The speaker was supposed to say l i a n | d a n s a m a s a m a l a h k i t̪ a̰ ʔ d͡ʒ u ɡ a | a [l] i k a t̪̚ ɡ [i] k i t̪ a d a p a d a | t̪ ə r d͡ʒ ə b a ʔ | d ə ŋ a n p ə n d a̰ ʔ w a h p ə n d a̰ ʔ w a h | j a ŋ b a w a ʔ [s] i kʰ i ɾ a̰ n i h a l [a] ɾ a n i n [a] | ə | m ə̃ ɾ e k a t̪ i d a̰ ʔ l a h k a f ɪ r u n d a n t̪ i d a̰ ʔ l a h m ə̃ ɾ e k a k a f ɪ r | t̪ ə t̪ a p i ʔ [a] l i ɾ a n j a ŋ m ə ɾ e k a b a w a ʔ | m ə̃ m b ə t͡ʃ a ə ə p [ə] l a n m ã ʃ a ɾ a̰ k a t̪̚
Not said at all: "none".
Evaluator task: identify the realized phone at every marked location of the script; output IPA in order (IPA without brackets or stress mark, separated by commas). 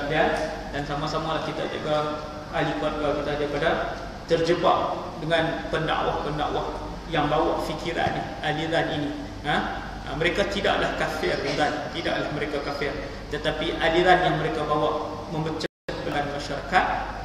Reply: l, a, f, i, i, a, ə